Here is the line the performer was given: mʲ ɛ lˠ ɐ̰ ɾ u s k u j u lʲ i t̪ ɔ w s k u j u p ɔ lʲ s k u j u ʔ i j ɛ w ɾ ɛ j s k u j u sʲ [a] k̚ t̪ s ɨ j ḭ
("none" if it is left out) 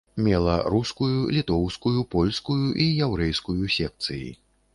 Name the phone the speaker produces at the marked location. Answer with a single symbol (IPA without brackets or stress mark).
ɛ